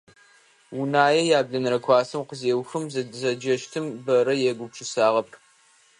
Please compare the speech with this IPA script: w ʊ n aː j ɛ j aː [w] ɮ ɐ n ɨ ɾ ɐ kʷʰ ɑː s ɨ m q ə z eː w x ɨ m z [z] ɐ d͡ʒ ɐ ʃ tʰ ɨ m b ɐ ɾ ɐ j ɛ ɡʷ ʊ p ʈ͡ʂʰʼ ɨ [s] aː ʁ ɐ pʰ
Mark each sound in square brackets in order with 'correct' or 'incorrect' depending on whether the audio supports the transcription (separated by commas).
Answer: incorrect, correct, correct